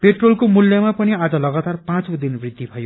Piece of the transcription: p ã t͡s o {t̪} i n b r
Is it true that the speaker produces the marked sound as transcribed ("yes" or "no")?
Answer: no